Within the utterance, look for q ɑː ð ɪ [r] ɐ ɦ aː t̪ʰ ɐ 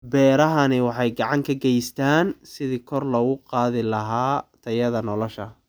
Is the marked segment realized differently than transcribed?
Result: yes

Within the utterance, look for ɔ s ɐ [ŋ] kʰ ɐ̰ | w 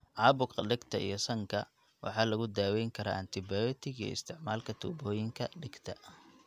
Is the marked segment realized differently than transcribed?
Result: no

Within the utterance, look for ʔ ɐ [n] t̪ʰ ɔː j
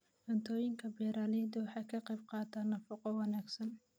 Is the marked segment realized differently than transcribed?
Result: no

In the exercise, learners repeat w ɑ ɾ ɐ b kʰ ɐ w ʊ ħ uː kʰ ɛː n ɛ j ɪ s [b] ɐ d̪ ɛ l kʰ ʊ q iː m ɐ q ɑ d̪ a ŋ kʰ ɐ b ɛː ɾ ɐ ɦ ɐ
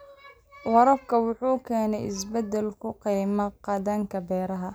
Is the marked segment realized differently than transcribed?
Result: no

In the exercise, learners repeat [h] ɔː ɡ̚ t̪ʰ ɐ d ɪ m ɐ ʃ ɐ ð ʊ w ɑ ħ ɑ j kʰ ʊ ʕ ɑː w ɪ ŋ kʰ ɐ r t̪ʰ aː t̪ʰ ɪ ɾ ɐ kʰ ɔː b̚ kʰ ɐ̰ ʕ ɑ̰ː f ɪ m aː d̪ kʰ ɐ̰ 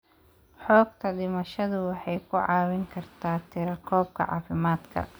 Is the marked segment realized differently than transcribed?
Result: yes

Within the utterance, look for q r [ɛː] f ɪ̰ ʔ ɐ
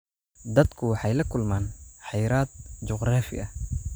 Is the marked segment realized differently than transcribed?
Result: yes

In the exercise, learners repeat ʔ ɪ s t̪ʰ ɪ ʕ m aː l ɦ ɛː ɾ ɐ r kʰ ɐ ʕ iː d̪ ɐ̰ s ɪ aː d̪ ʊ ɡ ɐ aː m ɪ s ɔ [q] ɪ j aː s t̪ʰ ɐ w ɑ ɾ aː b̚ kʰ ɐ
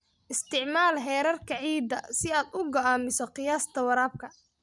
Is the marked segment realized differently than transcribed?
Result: no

